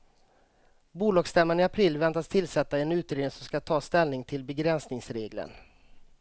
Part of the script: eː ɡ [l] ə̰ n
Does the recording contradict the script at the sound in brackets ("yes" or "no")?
no